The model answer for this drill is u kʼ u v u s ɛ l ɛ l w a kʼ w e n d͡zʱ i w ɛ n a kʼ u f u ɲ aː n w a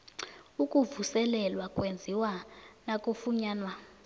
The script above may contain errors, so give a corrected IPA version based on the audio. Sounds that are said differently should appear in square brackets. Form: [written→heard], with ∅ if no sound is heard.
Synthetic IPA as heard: u kʼ u v u s ɛ l ɛ l w a kʼ w e n d͡zʱ i w [ɛ→a] n a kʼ u f u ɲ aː n w a